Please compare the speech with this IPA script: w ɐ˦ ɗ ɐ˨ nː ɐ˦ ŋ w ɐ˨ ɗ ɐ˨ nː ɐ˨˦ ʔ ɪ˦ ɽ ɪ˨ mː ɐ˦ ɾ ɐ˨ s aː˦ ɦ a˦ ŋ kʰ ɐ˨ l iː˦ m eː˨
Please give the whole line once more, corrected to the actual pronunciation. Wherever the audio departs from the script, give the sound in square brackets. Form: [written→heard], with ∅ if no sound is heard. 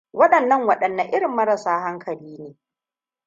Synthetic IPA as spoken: w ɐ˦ ɗ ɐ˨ nː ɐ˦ ŋ w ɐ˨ ɗ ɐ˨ nː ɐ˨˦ ʔ ɪ˦ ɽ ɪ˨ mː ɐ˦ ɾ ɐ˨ s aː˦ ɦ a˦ ŋ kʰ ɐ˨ l iː˦ [m→n] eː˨